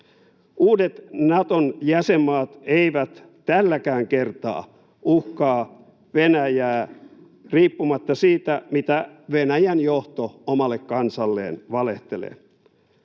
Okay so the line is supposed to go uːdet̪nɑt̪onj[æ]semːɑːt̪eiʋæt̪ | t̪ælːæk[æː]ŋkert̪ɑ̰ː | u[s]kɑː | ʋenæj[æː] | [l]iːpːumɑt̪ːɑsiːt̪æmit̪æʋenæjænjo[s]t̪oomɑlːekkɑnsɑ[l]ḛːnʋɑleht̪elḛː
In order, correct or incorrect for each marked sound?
correct, correct, incorrect: h, correct, incorrect: r, incorrect: h, incorrect: lː

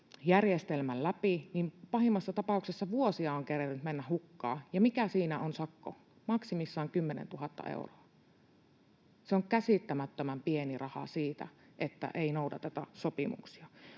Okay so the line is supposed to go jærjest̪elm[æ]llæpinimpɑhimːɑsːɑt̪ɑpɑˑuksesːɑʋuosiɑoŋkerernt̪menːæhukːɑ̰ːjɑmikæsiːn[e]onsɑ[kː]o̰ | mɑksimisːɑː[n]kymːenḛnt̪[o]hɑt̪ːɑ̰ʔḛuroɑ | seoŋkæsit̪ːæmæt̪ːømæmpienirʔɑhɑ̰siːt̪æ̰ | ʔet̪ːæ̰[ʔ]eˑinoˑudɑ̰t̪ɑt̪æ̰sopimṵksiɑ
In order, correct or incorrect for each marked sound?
correct, incorrect: æ, correct, incorrect: ŋ, incorrect: u, correct

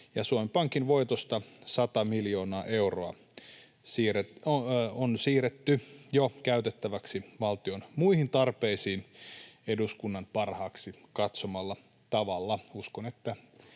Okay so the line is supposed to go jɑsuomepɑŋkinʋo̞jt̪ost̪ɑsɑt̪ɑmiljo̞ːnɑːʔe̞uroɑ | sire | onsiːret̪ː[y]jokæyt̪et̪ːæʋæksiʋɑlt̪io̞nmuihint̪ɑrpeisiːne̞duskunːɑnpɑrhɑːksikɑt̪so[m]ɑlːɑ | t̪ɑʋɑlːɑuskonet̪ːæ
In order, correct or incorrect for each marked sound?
correct, correct

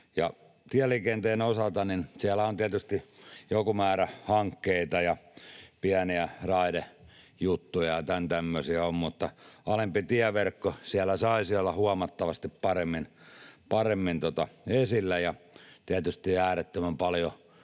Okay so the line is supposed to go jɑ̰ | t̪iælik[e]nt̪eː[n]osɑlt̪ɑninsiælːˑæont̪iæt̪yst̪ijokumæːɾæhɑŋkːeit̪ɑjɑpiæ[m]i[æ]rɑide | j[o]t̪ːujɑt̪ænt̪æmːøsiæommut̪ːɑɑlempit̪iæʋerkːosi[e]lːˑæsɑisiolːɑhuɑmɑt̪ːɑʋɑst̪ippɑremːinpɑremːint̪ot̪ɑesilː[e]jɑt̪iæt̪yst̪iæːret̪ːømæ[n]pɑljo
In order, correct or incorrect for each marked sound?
correct, correct, incorrect: n, correct, incorrect: u, incorrect: æ, incorrect: æ, incorrect: m

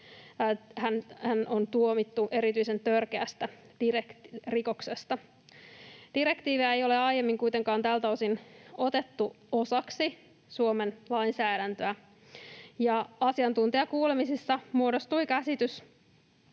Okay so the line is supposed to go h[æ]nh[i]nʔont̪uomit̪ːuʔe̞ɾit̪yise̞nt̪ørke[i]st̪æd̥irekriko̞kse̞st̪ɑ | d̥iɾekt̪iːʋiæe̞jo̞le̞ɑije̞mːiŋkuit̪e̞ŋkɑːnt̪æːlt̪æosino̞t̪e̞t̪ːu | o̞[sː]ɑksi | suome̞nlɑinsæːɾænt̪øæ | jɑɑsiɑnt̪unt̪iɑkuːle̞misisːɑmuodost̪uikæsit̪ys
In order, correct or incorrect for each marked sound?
correct, incorrect: æ, incorrect: æ, incorrect: s

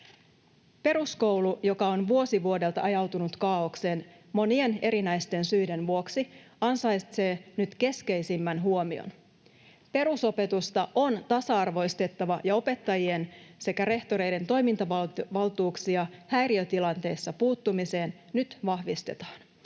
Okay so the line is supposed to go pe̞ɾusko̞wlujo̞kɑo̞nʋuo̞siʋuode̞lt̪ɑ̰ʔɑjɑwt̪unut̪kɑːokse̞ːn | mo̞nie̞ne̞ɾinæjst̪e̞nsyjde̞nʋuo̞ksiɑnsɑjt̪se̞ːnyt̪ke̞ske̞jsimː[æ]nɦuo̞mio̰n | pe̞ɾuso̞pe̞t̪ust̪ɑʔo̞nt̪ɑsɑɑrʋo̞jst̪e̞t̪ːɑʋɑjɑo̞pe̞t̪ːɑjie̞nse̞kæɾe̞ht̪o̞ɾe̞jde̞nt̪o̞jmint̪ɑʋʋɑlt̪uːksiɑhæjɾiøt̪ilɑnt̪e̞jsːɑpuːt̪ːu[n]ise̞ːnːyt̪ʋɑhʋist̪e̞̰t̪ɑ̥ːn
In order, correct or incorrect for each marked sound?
correct, incorrect: m

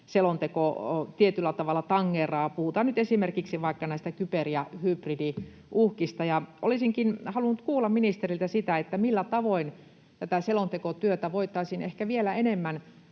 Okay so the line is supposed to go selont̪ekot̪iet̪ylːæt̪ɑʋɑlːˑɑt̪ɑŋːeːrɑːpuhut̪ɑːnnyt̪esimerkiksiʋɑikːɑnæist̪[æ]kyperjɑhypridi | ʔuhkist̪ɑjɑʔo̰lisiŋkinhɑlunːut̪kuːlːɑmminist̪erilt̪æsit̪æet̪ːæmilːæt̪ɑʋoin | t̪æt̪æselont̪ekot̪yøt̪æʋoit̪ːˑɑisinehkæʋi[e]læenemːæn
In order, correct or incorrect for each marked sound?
correct, correct

